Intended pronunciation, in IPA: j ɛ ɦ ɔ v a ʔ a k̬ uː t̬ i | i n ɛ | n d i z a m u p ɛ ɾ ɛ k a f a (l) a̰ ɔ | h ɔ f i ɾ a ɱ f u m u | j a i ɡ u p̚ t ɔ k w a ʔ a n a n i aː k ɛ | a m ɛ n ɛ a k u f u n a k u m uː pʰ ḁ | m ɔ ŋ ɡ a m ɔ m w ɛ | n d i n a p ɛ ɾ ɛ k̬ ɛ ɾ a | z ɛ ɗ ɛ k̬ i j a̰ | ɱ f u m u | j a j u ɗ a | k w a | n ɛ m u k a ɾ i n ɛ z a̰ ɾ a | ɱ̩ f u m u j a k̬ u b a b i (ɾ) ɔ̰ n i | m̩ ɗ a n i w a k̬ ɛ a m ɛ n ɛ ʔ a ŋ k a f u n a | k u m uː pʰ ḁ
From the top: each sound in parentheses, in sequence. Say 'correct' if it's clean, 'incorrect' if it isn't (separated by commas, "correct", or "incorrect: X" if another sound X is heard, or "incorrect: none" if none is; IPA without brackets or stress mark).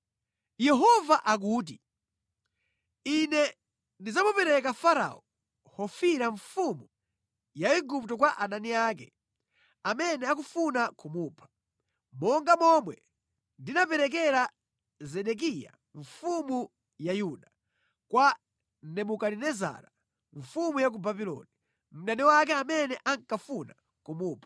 incorrect: ɾ, incorrect: l